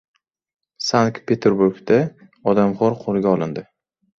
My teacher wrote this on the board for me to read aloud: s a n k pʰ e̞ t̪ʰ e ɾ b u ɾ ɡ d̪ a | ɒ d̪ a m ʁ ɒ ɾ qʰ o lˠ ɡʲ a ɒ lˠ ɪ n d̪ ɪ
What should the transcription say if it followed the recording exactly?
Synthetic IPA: s a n k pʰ e̞ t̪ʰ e ɾ b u ɾ ɡ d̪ a | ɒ d̪ a m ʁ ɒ ɾ qʰ o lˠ ɡʲ a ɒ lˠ ɪ n d̪ ɪ